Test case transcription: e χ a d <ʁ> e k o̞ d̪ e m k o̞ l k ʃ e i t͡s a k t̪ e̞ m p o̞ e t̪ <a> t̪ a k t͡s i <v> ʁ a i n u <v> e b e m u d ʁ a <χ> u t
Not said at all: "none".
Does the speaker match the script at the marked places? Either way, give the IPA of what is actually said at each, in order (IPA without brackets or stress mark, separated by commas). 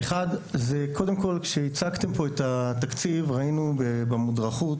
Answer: z, a, v, b, χ